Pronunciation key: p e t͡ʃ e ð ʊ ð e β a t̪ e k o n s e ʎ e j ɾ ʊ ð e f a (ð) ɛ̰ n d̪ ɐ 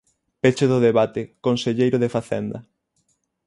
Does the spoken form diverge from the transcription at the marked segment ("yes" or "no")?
yes